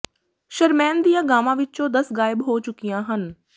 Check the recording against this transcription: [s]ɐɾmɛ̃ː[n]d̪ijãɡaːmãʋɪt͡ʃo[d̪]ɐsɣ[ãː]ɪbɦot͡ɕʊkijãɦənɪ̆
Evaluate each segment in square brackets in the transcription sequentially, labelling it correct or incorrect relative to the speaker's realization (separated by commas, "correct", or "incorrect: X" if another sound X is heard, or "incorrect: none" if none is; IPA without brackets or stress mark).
incorrect: ʃ, correct, correct, incorrect: aː